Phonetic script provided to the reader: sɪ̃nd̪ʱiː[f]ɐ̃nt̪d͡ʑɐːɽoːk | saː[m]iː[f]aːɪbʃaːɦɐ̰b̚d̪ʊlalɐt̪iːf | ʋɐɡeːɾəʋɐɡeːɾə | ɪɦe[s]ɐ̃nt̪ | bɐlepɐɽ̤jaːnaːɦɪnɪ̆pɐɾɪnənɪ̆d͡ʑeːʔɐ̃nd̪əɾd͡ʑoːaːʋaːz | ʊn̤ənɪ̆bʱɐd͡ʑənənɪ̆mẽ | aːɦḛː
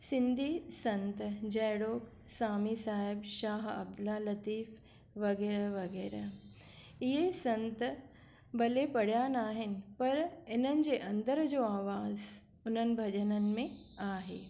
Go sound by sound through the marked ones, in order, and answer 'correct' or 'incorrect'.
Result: incorrect: s, correct, incorrect: s, correct

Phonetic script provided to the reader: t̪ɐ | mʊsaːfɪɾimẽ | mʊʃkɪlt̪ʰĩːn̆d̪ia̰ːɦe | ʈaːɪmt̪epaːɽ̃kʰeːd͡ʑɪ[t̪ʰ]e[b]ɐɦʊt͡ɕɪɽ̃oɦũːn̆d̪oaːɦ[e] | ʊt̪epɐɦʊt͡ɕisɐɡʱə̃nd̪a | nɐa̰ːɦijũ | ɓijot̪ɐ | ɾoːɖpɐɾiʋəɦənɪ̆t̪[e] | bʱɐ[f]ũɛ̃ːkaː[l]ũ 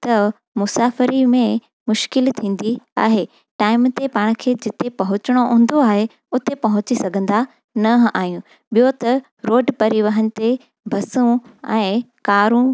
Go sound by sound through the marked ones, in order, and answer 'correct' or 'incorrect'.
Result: incorrect: t̪, incorrect: p, correct, correct, incorrect: s, incorrect: ɾ

